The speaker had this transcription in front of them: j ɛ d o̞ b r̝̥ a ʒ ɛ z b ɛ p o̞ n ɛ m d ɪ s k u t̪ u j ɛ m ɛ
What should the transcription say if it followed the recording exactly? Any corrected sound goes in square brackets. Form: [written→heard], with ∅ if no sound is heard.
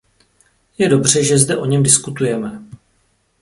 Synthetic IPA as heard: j ɛ d o̞ b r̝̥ [a→ɛ] ʒ ɛ z [b→d] ɛ [p→ʔ] o̞ [n→ɲ] ɛ m d ɪ s k u t̪ u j ɛ m ɛ